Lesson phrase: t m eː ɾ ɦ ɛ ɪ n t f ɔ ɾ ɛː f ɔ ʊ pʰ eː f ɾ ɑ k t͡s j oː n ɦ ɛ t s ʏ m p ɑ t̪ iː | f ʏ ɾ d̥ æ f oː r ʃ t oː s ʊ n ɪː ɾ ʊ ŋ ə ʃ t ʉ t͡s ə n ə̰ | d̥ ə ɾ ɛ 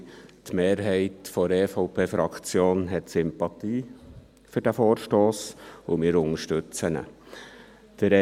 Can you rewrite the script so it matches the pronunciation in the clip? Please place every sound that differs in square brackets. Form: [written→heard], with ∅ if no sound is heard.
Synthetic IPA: t m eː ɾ ɦ ɛ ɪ [n→∅] t f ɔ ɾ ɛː f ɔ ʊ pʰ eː f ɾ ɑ k t͡s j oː n ɦ ɛ t s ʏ m p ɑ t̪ iː | f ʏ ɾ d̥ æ f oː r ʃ t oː s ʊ [n→m] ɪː ɾ ʊ ŋ ə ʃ t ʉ t͡s ə n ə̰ | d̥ ə ɾ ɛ